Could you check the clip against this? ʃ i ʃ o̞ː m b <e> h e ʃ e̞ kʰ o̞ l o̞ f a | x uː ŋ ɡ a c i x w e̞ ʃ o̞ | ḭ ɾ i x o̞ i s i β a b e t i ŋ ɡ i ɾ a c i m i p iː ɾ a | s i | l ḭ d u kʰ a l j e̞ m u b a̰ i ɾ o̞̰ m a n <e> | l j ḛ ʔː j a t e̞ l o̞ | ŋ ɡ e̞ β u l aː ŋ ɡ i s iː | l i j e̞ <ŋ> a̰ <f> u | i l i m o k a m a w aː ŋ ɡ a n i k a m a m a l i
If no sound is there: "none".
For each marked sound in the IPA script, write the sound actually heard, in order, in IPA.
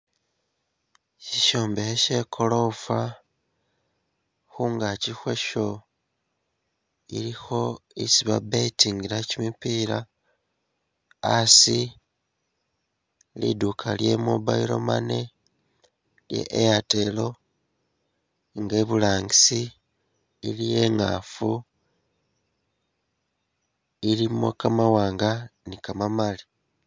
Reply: e, e, ŋ, f

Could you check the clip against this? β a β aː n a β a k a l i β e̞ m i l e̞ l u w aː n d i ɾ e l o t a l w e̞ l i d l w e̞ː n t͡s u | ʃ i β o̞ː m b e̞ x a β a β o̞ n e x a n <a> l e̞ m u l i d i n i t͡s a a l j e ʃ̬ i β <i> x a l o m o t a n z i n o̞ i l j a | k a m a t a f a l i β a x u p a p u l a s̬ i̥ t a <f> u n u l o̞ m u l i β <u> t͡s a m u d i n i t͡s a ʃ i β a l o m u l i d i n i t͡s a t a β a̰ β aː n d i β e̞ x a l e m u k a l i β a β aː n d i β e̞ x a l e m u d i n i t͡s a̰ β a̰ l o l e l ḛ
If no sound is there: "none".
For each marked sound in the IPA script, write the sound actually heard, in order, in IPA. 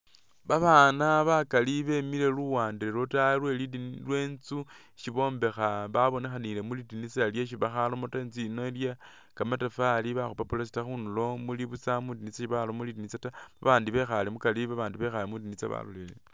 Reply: i, a, x, u

